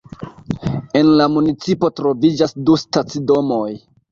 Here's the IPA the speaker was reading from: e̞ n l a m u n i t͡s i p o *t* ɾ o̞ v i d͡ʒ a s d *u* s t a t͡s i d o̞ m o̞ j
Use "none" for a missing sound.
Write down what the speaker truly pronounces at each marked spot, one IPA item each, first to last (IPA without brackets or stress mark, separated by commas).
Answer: t, u